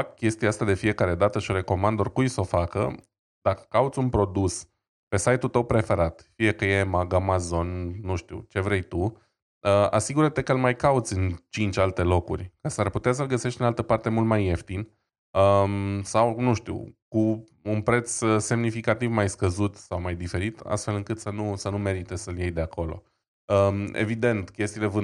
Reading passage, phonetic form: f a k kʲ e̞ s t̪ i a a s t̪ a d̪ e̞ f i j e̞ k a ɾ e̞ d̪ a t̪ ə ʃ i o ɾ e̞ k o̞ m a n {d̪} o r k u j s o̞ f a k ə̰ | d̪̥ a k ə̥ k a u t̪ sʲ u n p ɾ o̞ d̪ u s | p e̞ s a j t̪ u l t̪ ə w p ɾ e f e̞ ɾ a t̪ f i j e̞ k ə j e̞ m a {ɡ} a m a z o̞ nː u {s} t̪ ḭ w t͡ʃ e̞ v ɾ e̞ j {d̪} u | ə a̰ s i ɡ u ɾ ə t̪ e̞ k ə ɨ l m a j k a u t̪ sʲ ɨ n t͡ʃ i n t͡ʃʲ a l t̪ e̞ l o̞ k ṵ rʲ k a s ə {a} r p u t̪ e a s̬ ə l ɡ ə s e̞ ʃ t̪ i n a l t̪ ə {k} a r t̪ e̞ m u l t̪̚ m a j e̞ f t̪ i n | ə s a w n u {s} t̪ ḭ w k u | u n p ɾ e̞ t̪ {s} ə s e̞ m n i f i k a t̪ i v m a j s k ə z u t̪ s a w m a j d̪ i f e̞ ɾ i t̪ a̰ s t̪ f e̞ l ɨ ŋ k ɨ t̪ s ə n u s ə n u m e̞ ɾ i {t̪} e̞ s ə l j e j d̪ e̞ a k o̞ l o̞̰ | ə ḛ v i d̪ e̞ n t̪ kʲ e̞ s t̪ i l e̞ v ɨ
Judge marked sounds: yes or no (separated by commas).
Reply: yes, yes, no, no, yes, no, no, yes, yes